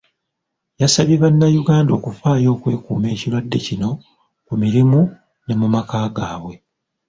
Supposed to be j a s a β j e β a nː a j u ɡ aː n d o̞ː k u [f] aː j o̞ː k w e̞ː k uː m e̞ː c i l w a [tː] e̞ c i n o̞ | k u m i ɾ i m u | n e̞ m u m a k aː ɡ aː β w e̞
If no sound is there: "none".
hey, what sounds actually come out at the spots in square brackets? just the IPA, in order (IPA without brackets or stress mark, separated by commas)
f, dː